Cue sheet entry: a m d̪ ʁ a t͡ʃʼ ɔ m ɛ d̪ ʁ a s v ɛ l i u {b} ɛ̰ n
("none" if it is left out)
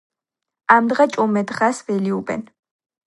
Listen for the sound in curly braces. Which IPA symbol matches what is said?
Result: b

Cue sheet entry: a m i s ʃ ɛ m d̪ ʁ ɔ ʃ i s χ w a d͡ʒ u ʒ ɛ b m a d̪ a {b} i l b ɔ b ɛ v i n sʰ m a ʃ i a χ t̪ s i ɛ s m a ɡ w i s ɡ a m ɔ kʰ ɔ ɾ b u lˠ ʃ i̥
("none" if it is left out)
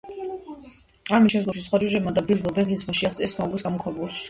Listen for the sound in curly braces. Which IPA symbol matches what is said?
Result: b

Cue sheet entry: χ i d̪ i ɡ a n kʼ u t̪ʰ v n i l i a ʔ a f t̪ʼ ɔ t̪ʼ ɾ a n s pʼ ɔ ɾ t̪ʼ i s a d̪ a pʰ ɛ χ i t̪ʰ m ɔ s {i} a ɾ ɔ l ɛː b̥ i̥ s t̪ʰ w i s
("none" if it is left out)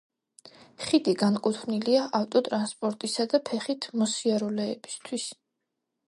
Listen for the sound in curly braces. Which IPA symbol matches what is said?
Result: i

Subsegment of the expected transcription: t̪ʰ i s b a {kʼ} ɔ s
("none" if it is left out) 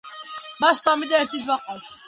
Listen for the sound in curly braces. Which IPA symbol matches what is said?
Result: qʼ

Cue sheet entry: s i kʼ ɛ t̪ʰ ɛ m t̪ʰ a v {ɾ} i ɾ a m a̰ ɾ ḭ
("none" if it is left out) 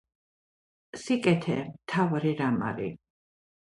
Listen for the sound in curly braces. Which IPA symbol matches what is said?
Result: ɾ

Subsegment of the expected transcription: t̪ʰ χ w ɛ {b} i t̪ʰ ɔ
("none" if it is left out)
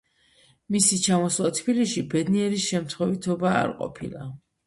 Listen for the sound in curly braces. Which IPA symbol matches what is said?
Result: v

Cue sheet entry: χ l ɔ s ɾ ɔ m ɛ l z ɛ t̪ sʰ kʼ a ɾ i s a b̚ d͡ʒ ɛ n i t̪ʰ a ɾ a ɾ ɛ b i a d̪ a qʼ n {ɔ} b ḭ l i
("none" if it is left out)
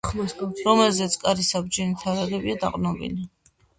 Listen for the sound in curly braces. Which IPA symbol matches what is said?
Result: ɔ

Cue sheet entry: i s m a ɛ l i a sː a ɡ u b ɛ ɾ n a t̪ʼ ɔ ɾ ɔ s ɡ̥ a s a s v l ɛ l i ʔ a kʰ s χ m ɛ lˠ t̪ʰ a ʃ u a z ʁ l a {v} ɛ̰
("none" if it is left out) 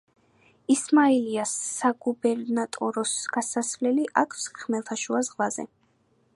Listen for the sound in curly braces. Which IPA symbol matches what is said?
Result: z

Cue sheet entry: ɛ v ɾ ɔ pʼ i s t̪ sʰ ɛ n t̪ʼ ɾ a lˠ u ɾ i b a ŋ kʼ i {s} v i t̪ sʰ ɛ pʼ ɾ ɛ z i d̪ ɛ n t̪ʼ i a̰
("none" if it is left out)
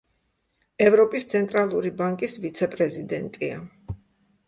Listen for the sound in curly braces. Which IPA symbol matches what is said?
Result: s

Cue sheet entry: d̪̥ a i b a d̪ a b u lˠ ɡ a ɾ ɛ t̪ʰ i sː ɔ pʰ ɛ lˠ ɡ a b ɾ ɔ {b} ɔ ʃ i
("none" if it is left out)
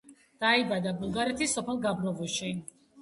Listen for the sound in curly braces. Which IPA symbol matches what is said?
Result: v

